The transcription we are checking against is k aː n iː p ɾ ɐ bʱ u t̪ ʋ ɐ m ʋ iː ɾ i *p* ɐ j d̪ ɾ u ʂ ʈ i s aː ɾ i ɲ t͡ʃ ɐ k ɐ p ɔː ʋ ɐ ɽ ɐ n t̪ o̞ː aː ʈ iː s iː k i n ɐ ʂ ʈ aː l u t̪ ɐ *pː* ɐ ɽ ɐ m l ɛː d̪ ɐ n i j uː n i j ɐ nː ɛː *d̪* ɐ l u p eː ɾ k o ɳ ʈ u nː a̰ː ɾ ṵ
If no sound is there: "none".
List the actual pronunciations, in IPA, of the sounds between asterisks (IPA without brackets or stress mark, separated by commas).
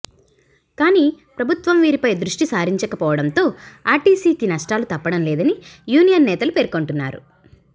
p, pː, t̪